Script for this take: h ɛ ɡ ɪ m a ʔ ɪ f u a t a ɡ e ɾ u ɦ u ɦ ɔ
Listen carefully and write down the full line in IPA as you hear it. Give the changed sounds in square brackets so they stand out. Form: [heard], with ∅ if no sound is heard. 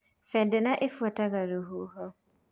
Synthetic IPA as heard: [f] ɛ [d] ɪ [n] a ʔ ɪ f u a t a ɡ [a] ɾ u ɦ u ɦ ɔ